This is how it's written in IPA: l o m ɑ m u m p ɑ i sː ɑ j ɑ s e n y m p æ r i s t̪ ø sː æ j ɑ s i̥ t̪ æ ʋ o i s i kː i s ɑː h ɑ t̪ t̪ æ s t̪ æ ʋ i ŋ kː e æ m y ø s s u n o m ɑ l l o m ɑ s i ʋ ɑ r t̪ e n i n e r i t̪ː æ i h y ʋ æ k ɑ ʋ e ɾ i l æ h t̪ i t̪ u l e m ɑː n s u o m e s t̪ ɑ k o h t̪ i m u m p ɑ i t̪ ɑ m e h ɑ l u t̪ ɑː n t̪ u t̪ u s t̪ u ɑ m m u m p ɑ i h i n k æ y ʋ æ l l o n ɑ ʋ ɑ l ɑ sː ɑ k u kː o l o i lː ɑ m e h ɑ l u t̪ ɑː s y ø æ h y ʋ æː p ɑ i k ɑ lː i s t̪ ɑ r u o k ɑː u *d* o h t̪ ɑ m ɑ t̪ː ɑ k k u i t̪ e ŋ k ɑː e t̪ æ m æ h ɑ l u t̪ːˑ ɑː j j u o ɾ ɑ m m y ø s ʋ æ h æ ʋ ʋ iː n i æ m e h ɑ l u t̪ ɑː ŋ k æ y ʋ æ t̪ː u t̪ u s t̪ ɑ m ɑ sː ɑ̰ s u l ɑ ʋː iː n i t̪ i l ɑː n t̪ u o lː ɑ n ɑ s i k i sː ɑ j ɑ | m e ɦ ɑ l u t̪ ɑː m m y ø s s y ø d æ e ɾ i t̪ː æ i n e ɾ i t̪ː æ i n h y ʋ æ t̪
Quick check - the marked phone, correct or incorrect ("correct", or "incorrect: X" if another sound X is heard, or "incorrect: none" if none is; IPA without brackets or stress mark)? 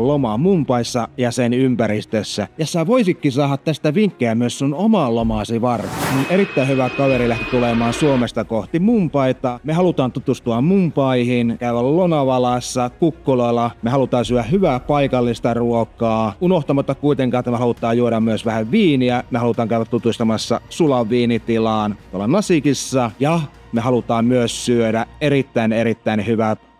incorrect: n